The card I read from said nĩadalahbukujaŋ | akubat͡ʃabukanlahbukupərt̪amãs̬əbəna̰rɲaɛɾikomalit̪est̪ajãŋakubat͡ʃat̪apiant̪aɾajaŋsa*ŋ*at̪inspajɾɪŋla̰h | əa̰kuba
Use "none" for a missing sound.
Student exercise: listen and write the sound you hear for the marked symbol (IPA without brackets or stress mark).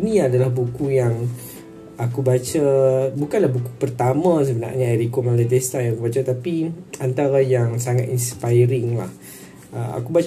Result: ŋ